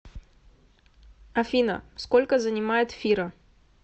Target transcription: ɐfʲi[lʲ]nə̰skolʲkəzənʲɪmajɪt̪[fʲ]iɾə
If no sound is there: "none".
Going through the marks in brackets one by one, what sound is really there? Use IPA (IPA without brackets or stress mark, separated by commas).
none, fʲ